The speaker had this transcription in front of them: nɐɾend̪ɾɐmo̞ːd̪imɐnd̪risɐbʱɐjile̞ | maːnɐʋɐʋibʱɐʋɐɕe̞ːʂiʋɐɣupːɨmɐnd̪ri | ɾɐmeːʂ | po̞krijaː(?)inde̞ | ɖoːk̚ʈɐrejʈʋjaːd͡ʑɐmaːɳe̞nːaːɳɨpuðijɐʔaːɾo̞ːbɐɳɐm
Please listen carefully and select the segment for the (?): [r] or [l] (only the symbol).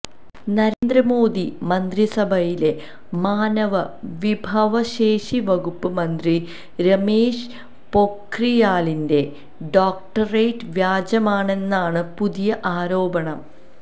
l